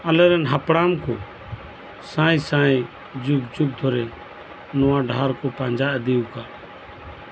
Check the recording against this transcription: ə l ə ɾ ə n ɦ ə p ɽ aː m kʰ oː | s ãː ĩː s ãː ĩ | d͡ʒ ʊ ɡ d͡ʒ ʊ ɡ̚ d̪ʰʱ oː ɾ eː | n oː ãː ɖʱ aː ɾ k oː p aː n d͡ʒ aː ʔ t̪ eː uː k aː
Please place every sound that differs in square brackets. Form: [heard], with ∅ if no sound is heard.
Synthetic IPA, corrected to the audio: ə l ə ɾ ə n ɦ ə p ɽ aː m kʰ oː | s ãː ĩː s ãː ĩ | d͡ʒ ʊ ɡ d͡ʒ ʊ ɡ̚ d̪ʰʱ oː ɾ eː | n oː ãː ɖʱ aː ɾ k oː p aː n d͡ʒ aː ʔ [d̪] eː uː k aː